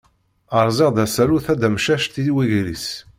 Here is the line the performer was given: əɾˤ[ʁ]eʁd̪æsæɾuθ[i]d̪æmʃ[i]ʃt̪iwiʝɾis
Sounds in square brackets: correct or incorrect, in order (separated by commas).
incorrect, incorrect, incorrect